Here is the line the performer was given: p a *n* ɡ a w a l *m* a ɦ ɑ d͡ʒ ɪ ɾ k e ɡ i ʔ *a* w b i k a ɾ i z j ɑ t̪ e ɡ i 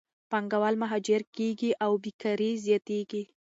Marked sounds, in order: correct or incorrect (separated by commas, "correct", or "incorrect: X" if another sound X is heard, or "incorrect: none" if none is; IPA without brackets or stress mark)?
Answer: incorrect: ŋ, correct, correct